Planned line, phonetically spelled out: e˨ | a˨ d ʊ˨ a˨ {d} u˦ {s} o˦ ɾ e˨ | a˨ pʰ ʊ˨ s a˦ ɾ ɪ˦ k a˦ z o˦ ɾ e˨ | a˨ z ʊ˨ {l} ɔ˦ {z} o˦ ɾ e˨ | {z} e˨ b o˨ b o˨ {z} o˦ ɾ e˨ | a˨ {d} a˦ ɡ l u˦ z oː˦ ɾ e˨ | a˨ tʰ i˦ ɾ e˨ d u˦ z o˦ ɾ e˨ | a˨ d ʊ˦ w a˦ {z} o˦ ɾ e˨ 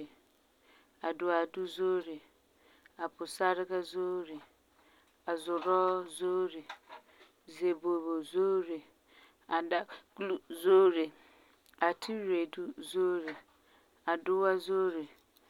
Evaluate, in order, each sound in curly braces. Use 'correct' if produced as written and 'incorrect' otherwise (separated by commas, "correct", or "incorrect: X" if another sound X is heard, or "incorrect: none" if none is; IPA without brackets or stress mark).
correct, incorrect: z, incorrect: ɾ, correct, correct, correct, correct, correct